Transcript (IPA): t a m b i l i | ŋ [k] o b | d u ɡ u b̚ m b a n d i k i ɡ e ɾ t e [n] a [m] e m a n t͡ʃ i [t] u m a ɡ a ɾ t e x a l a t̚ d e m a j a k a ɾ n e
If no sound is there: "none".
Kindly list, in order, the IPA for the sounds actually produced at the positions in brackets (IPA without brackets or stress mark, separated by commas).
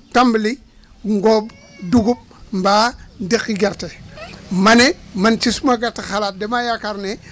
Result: ɡ, m, n, s